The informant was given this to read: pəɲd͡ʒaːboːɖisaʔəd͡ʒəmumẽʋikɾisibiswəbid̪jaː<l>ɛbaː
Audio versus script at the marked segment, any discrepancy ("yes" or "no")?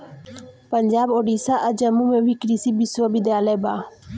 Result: no